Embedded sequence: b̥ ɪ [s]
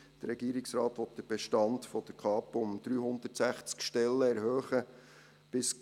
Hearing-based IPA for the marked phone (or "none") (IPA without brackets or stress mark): s